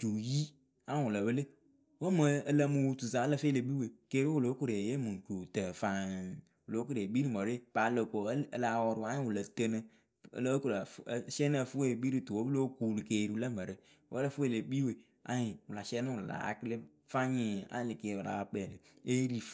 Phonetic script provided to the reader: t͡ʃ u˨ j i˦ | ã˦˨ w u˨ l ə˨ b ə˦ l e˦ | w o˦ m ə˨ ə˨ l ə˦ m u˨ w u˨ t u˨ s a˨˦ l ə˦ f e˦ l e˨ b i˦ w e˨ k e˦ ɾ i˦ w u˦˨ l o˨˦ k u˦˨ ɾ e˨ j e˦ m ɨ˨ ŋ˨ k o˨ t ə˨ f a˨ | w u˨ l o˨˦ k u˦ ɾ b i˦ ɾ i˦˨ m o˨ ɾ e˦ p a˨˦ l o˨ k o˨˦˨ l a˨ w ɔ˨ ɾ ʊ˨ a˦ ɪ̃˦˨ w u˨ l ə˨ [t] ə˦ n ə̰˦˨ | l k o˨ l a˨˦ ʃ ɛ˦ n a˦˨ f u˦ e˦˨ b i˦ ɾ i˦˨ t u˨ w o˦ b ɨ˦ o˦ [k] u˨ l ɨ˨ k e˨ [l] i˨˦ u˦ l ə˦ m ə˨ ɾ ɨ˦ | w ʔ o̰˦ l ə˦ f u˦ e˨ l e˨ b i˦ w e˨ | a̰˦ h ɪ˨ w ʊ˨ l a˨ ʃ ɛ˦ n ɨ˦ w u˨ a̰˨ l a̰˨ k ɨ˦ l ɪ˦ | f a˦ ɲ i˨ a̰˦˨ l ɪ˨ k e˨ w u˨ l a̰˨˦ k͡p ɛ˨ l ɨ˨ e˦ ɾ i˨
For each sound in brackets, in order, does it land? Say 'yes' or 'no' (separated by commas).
yes, yes, no